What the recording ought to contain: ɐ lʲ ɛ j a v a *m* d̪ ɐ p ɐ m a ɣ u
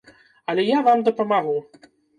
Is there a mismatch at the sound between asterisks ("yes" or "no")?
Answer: no